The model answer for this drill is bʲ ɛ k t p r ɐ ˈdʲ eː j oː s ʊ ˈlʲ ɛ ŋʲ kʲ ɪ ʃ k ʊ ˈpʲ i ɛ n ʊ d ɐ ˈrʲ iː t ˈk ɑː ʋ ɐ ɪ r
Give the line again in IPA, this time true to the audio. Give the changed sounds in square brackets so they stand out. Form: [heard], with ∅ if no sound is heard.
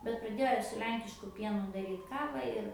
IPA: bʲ ɛ [∅] t p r ɐ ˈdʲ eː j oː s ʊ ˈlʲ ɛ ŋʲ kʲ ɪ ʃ k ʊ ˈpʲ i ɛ n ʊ d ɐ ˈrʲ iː t ˈk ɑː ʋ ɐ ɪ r